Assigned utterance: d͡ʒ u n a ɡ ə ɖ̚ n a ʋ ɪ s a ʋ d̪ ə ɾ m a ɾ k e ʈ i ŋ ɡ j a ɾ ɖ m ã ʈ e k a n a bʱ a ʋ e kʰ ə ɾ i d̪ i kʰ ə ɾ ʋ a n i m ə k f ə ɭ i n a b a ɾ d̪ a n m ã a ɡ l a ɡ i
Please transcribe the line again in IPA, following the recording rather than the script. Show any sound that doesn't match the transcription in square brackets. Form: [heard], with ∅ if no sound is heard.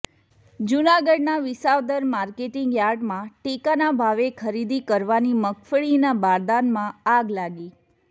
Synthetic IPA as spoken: d͡ʒ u n a ɡ ə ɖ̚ n a ʋ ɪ s a ʋ d̪ ə ɾ m a ɾ k e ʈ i ŋ ɡ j a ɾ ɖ m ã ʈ e k a n a bʱ a ʋ e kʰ ə ɾ i d̪ i [k] ə ɾ ʋ a n i m ə k f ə ɭ i n a b a ɾ d̪ a n m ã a ɡ l a ɡ i